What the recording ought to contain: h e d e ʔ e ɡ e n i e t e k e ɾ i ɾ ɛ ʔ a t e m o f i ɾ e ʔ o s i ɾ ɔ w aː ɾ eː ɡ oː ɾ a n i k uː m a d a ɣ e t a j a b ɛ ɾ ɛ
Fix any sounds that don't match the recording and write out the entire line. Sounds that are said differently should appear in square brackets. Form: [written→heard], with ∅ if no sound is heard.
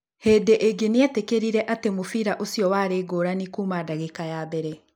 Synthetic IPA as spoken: h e d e ʔ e ɡ e n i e t e k e ɾ i ɾ ɛ ʔ a t e m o f i ɾ [e→a] ʔ o s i [ɾ→∅] ɔ w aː ɾ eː ɡ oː ɾ a n i k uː m a d a ɣ e [t→k] a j a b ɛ ɾ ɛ